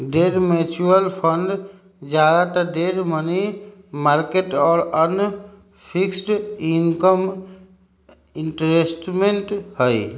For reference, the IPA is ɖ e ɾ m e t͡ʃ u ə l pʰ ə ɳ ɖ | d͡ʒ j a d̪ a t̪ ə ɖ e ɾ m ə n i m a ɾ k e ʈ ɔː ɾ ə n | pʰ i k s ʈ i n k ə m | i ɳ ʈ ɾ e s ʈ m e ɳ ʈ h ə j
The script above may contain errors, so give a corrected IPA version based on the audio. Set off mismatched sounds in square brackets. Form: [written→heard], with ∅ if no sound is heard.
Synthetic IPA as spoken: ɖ e ɾ m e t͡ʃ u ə l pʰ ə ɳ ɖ | d͡ʒ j a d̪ a t̪ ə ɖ e ɾ m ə n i m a ɾ k e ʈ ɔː ɾ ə n | pʰ i k s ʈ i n k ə m | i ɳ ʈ ɾ e s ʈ m e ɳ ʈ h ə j

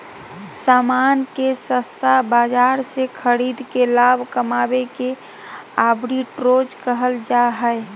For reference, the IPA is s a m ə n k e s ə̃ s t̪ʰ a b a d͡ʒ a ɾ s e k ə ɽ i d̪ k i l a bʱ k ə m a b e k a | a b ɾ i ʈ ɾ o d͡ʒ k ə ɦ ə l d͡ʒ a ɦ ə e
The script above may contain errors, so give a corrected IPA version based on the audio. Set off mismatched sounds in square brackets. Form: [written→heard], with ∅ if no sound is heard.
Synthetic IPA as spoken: s a m [ə→a] n k e s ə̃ s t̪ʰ a b a d͡ʒ a ɾ s e [k→kʰ] ə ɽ i d̪ k [i→e] l a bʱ k ə m a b e k [a→e] | a b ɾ i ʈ ɾ o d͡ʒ k ə ɦ ə l d͡ʒ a ɦ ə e

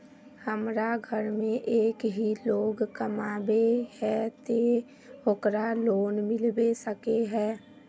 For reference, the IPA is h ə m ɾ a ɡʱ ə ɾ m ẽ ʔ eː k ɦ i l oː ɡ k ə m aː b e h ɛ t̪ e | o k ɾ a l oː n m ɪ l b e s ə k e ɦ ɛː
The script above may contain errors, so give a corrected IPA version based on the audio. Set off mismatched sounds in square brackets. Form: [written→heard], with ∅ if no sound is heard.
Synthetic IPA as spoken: h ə m ɾ a ɡʱ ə ɾ m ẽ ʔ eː k ɦ i l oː ɡ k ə m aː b e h ɛ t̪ e | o k ɾ a l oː n m ɪ l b e s ə k e ɦ ɛː

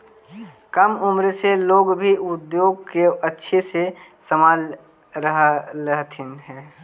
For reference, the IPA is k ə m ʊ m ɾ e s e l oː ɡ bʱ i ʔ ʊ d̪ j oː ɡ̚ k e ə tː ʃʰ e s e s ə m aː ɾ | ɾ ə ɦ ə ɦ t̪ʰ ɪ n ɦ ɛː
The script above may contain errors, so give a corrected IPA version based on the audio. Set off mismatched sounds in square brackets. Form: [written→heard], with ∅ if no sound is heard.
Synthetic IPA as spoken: k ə m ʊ m ɾ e s e l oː ɡ bʱ i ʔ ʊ d̪ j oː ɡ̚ k e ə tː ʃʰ e s e s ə m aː [ɾ→l] | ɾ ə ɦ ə ɦ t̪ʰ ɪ n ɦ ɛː

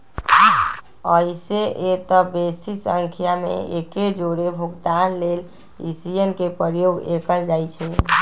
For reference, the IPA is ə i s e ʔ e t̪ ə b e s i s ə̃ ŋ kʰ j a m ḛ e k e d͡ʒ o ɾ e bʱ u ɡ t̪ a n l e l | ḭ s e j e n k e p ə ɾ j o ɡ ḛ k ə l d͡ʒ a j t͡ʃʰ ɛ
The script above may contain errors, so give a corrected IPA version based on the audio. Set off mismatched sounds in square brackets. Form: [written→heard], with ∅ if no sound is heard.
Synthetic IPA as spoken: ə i s e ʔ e t̪ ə b e s i s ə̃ ŋ kʰ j a m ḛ e k e d͡ʒ o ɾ e bʱ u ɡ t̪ a n l e l | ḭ s [e→i] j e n k e p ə ɾ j o ɡ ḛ k ə l d͡ʒ a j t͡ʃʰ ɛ

